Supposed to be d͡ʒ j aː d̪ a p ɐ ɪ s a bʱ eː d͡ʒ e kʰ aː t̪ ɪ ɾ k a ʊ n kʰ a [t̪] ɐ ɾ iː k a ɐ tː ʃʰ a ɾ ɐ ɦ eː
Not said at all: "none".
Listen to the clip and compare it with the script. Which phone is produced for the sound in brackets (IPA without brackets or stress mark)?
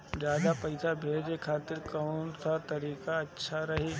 t̪